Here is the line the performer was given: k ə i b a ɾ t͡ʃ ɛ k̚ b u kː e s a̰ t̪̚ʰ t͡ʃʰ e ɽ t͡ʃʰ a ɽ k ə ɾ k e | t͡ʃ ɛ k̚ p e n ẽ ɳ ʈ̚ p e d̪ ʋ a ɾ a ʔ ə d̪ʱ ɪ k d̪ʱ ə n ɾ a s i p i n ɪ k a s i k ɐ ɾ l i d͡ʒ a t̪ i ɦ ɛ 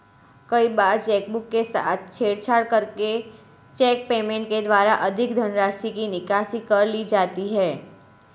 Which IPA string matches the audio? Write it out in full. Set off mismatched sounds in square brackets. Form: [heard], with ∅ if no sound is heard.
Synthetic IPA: k ə i b a ɾ t͡ʃ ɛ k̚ b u kː e s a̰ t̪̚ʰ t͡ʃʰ e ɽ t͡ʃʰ a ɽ k ə ɾ k e | t͡ʃ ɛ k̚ p e [m] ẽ ɳ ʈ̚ [k] e d̪ ʋ a ɾ a ʔ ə d̪ʱ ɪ k d̪ʱ ə n ɾ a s i [k] i n ɪ k a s i k [ə] ɾ l i d͡ʒ a t̪ i ɦ ɛ